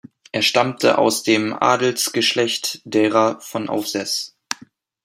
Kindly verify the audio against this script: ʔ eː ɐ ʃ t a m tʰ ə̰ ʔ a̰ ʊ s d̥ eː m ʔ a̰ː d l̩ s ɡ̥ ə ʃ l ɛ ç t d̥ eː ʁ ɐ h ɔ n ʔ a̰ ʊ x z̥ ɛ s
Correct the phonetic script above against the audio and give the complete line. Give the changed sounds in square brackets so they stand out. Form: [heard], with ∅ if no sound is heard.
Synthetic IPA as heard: ʔ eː ɐ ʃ t a m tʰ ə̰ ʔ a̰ ʊ s d̥ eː m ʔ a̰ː d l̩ s ɡ̥ ə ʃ l ɛ ç t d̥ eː ʁ ɐ [f] ɔ n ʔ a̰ ʊ [f] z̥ ɛ s